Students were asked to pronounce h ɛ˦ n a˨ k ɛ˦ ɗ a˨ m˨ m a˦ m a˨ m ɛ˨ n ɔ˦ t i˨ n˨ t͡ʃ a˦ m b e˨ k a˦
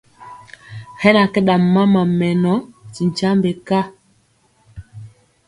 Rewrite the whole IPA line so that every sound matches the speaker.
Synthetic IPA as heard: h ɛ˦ n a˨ k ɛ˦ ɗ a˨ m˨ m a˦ m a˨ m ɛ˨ n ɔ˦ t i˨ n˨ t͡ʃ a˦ m b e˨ k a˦